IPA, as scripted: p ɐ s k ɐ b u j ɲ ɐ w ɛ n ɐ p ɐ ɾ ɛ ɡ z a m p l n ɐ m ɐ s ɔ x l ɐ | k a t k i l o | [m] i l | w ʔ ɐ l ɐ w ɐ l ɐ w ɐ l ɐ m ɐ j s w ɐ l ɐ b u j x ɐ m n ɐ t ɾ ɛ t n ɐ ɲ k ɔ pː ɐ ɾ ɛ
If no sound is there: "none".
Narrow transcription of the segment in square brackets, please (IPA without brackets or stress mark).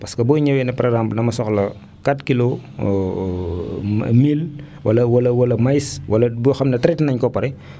m